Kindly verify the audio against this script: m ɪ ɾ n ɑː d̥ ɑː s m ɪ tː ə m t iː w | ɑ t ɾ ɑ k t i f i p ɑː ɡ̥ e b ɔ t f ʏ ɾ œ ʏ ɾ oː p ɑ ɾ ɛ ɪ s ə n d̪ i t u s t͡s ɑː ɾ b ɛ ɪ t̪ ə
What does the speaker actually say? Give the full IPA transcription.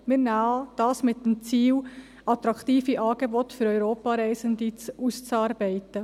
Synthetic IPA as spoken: m ɪ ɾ n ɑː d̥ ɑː s m ɪ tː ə m t͡s iː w | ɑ t ɾ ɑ k t iː f i ʔ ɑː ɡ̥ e b ɔ t f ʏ ɾ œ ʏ ɾ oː p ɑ ɾ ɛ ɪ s ə n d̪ i t͡s u s t͡s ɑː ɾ b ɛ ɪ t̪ ə